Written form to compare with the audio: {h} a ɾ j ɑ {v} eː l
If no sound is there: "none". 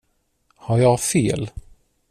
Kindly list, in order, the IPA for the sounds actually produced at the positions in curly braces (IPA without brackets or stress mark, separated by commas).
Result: h, f